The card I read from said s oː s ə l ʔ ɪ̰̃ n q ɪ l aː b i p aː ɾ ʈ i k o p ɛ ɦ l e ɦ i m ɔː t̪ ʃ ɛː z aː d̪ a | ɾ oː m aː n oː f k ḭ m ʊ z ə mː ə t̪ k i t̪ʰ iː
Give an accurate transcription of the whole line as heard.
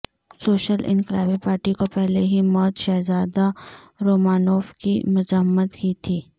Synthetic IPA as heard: s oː ʃ ə l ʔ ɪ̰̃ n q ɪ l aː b i p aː ɾ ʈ i k o p ɛ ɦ l e ɦ i m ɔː t̪ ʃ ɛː z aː d̪ a | ɾ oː m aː n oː f k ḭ m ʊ z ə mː ə t̪ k i t̪ʰ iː